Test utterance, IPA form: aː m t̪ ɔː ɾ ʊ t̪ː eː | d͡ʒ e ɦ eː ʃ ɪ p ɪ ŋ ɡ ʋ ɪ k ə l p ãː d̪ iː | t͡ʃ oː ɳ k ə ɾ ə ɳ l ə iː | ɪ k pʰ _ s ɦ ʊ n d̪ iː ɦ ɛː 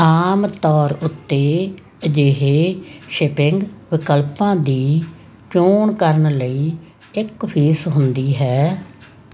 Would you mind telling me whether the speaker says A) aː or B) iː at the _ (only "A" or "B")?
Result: B